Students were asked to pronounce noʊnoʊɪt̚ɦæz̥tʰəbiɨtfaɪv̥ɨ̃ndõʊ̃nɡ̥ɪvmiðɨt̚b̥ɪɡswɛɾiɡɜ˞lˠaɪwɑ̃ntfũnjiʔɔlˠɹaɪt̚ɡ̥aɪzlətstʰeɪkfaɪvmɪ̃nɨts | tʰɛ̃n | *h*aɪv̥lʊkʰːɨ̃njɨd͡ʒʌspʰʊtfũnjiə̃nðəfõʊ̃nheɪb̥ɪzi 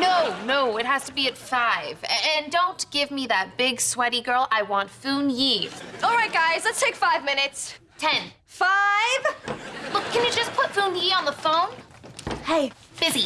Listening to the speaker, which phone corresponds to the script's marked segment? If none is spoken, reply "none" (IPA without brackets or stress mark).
f